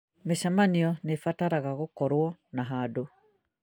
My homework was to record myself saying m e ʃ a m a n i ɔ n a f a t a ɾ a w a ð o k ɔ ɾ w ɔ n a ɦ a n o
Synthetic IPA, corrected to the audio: m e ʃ a m a n i ɔ n e f a t a ɾ a ɣ a ɣ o k ɔ ɾ w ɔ n a ɦ a d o